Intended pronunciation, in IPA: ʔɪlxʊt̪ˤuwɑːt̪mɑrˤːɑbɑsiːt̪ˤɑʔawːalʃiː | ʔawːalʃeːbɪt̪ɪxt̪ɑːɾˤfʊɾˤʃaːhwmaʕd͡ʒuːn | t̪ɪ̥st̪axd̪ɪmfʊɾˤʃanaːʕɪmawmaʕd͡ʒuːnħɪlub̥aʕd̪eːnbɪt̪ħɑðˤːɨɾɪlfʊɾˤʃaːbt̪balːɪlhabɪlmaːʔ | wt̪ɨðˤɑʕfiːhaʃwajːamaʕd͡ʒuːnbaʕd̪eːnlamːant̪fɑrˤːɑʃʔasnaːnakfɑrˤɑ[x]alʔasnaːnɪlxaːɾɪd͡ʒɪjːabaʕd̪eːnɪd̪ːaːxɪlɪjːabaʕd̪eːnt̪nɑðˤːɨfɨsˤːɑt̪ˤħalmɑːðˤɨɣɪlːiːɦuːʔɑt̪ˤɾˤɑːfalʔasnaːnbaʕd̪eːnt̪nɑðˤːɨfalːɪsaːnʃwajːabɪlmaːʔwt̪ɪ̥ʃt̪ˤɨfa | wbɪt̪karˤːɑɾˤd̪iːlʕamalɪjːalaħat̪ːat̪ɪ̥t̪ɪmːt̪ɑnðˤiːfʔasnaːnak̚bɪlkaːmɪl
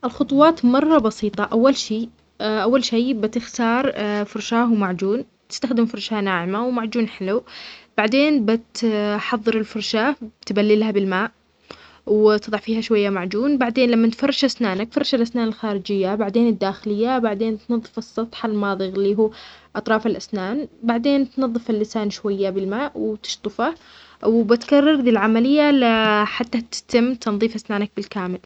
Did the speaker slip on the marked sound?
yes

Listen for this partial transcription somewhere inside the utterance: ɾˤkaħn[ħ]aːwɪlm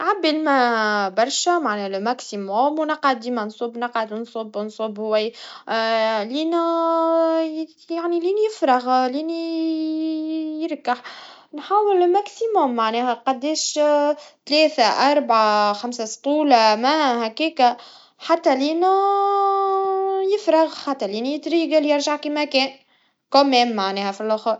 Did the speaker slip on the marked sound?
no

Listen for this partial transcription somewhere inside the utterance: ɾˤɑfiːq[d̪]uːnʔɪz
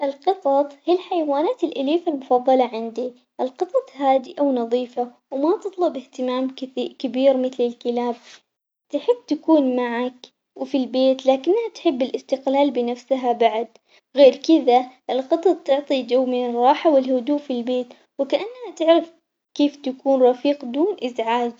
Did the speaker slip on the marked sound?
no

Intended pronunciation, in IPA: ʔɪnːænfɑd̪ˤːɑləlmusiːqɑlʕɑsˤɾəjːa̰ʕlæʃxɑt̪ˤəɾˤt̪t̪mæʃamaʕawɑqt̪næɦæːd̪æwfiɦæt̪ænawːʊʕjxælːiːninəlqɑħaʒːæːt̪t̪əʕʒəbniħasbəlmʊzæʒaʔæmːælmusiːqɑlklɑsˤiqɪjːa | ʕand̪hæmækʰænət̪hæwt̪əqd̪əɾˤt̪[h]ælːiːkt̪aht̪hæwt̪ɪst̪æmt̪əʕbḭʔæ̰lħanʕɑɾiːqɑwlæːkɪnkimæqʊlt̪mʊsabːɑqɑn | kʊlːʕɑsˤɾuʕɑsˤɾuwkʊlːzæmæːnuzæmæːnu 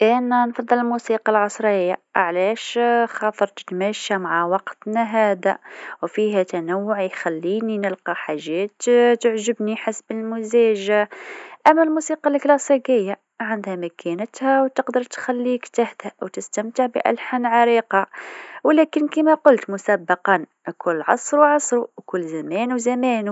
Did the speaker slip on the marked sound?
yes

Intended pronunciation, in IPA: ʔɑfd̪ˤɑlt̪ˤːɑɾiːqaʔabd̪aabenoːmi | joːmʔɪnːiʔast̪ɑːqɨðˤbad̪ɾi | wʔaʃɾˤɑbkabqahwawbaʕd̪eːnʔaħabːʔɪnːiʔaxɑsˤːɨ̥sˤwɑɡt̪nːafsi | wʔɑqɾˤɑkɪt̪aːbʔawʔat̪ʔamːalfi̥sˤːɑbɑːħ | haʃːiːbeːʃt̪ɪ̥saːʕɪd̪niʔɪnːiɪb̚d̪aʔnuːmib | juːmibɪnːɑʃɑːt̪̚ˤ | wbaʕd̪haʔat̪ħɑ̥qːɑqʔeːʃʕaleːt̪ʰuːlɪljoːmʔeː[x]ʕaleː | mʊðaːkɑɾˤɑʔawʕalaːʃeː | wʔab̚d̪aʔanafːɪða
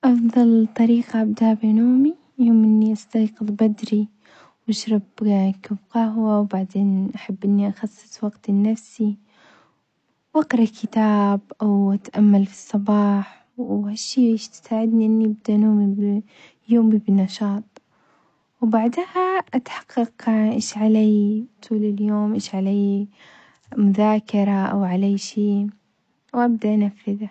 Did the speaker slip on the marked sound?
yes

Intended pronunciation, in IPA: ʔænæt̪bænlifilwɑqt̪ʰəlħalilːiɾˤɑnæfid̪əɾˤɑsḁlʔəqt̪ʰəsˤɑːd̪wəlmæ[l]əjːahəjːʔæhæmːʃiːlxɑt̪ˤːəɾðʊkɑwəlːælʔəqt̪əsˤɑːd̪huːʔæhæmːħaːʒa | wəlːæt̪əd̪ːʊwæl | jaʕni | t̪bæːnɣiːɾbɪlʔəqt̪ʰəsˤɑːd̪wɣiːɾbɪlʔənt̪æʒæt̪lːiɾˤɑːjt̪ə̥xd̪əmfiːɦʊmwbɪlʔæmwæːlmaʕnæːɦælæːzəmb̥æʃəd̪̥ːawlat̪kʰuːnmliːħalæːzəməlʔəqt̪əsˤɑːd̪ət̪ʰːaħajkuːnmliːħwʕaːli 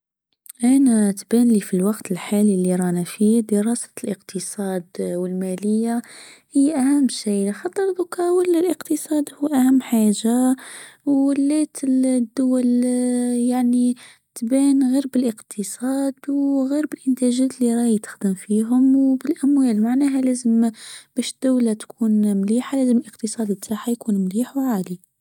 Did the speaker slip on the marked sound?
no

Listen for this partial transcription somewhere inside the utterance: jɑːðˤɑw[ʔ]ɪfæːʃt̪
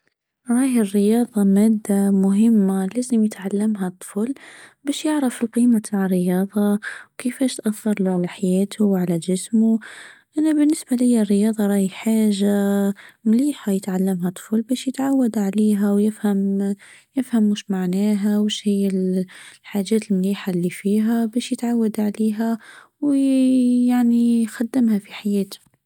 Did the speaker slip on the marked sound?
yes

